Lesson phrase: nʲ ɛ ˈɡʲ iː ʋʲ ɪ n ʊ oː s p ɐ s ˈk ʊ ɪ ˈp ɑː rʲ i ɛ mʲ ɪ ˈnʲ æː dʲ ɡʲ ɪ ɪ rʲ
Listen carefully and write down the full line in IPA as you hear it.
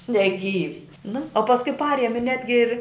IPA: nʲ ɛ ˈɡʲ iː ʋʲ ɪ n ʊ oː p ɐ s ˈk ʊ ɪ ˈp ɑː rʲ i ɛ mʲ ɪ ˈnʲ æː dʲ ɡʲ ɪ ɪ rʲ